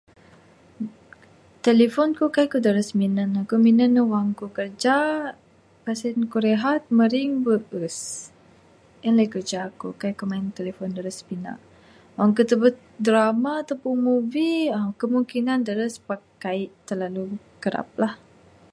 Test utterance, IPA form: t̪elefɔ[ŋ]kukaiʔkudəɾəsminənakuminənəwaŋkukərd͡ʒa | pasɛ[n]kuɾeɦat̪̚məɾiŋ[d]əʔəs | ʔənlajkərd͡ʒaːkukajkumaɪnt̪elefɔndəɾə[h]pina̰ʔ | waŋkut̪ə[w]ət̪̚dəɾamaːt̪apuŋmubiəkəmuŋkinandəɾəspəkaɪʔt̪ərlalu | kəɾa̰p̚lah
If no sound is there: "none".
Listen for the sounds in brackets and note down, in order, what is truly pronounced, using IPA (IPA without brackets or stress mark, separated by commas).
n, n, b, s, b